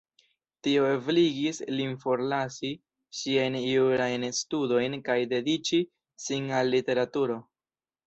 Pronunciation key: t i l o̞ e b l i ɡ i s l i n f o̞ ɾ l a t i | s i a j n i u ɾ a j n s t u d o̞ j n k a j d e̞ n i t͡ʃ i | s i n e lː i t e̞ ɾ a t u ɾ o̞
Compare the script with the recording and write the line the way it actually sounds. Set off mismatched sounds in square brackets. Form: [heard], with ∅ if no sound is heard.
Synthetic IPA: t i [∅] o̞ e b l i ɡ i s l i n f o̞ ɾ l a [s] i | [ʃ] i a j n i u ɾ a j n s t u d o̞ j n k a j d e̞ [d] i t͡ʃ i | s i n [a] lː i t e̞ ɾ a t u ɾ o̞